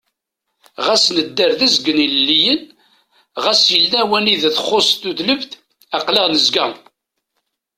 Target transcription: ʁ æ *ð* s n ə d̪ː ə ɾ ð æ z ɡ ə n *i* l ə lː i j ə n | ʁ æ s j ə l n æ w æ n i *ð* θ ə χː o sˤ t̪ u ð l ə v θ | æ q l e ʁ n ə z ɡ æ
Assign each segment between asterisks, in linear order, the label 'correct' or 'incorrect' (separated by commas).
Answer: incorrect, correct, correct